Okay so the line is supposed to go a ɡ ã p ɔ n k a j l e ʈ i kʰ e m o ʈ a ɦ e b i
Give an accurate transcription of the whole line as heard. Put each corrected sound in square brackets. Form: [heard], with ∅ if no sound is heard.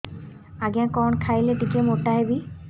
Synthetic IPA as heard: a ɡ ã [k] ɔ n [kʰ] a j l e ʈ i [k] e m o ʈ a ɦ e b i